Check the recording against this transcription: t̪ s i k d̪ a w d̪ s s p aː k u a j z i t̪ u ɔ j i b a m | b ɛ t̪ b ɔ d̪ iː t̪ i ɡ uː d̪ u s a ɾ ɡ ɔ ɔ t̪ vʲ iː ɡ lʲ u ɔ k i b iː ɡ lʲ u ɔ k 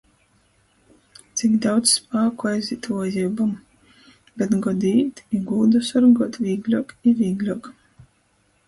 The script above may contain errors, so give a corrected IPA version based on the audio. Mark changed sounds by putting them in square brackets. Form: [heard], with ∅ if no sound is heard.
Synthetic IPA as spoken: t̪ s i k d̪ a w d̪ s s p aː k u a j z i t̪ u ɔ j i b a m | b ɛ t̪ [ɡ] ɔ d̪ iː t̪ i ɡ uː d̪ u s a ɾ ɡ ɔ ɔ t̪ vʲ iː ɡ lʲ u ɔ k i [v] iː ɡ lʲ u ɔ k